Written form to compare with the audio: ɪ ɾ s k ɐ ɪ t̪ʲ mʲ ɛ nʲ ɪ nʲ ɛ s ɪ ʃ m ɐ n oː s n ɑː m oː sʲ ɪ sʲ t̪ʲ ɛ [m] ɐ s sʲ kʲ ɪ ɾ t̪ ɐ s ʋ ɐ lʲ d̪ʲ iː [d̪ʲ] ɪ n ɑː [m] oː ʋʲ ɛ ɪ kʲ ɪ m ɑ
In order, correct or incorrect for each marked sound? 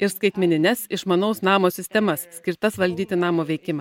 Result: correct, incorrect: t̪ʲ, correct

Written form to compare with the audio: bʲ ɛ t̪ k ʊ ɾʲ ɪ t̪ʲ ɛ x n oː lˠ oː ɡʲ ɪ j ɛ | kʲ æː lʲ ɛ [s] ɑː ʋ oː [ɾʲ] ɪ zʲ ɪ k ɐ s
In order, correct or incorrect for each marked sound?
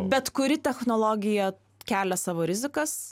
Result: correct, correct

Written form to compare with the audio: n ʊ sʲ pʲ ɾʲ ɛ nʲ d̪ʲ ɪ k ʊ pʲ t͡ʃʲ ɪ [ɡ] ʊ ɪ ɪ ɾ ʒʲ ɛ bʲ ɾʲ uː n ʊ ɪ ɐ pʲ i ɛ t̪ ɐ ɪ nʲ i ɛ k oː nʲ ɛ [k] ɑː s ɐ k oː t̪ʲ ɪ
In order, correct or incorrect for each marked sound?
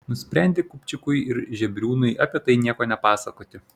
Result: incorrect: k, incorrect: p

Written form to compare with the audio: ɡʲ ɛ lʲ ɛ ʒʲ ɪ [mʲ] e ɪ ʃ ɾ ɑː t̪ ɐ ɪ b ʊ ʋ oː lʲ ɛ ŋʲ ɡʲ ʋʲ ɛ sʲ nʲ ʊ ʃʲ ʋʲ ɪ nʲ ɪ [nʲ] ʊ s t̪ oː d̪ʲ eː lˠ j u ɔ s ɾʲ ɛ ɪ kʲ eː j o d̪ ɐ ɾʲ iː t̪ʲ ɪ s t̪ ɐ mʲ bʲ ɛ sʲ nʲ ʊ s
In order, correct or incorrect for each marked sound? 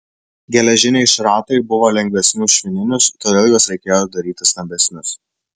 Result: incorrect: nʲ, correct

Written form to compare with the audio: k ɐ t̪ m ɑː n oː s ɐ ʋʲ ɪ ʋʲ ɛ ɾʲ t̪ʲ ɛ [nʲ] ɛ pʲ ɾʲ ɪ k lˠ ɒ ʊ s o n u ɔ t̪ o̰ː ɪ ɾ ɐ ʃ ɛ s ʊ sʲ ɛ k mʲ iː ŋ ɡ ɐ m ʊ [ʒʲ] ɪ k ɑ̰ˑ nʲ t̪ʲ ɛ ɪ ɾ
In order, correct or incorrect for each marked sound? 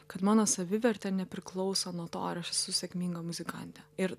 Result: correct, incorrect: zʲ

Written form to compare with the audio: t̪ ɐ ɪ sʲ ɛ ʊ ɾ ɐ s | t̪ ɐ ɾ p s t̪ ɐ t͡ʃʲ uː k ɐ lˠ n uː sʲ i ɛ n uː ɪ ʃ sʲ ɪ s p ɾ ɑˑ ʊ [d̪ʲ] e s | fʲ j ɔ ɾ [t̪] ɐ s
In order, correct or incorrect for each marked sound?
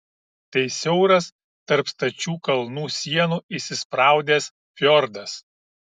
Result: correct, incorrect: d̪

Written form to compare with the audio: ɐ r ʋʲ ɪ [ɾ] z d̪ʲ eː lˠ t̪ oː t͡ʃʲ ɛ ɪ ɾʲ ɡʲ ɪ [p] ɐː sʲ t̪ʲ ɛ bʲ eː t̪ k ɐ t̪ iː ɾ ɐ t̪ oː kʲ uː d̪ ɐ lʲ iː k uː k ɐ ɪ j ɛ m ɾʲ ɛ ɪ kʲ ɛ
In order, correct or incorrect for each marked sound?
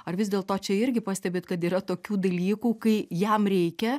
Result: incorrect: none, correct

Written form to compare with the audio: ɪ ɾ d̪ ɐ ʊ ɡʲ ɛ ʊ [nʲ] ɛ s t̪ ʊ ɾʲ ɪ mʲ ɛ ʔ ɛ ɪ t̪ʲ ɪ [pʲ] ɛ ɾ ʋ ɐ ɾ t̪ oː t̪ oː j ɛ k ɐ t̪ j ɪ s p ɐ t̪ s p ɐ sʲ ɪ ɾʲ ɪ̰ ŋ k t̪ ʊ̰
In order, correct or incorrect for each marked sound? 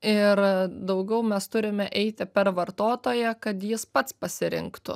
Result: incorrect: mʲ, correct

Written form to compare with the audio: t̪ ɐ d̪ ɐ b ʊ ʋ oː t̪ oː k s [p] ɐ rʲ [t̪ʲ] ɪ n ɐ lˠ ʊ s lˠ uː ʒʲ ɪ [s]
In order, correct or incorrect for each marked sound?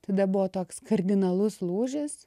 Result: incorrect: k, incorrect: d̪ʲ, correct

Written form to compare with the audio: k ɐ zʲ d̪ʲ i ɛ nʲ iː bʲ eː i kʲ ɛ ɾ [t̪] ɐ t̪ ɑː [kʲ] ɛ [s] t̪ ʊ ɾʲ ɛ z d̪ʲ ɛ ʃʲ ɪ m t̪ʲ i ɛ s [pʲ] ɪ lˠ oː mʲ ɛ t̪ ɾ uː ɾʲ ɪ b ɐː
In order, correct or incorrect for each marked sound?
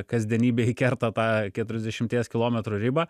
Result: correct, correct, incorrect: none, incorrect: kʲ

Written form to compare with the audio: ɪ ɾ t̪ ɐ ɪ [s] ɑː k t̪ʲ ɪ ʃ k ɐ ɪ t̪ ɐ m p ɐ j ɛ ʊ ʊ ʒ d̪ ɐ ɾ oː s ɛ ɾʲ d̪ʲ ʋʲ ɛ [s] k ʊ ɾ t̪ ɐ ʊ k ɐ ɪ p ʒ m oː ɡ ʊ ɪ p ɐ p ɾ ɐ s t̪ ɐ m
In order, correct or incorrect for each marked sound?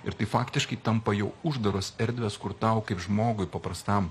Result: incorrect: f, correct

